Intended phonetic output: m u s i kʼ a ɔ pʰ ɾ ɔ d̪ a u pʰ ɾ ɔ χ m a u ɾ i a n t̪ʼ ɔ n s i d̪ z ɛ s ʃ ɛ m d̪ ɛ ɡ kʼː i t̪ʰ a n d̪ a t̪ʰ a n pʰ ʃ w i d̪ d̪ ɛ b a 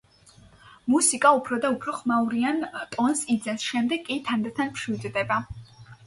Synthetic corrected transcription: m u s i kʼ a u pʰ ɾ ɔ d̪ a u pʰ ɾ ɔ χ m a u ɾ i a n t̪ʼ ɔ n s i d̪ z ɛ s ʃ ɛ m d̪ ɛ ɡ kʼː i t̪ʰ a n d̪ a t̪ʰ a n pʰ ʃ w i d̪ d̪ ɛ b a